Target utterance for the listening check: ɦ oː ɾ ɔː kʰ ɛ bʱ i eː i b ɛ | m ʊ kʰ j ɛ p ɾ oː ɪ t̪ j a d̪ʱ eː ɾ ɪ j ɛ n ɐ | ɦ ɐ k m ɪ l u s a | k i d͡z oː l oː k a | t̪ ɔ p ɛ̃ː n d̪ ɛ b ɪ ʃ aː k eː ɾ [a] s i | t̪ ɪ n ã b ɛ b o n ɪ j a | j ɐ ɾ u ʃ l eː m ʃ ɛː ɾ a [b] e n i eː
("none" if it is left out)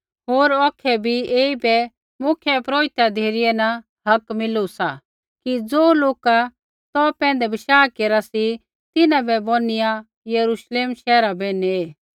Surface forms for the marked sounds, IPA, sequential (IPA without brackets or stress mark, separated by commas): a, b